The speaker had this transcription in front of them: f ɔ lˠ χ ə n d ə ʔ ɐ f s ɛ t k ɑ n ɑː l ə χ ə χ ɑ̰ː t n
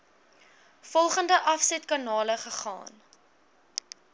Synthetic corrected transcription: f ɔ lˠ χ ə n d ə ʔ ɐ f s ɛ t k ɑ n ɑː l ə χ ə χ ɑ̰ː n